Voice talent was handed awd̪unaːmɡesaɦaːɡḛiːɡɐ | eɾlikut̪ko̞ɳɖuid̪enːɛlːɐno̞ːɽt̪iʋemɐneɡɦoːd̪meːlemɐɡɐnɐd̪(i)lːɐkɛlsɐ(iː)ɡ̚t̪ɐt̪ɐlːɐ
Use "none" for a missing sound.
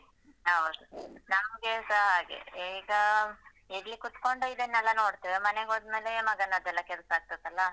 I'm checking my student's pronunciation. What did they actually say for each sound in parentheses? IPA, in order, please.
ɛ, aː

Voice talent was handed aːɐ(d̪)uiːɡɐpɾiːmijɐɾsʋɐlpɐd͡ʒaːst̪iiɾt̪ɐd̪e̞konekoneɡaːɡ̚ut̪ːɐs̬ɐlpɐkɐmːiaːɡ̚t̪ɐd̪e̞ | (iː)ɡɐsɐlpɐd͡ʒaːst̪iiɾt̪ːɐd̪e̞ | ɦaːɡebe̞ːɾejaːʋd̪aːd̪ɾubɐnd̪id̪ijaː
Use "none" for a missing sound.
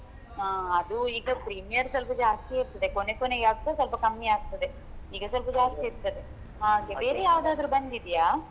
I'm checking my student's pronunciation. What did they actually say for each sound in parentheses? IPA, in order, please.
d̪, iː

